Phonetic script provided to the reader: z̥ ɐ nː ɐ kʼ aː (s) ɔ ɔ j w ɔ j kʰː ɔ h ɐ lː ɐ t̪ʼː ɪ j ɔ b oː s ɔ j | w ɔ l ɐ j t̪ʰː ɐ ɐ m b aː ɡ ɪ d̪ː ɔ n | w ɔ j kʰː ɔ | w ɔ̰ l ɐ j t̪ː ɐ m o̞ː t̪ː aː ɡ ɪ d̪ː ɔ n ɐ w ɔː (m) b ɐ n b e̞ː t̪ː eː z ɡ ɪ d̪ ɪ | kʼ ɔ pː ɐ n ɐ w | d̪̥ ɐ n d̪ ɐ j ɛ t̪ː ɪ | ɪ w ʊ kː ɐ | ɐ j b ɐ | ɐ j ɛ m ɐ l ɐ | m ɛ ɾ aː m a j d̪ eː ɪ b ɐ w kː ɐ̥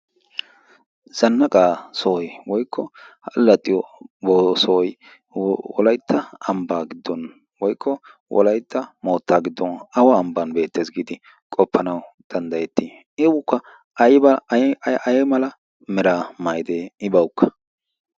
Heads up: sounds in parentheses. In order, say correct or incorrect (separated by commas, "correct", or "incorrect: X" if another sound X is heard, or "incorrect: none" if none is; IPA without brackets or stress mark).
correct, correct